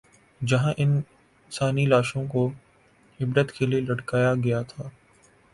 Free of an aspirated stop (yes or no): no